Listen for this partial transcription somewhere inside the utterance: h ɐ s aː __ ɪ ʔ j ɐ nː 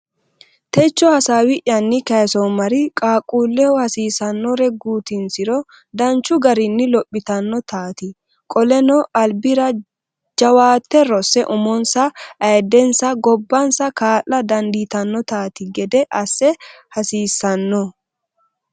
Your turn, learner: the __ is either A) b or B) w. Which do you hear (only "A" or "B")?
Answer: B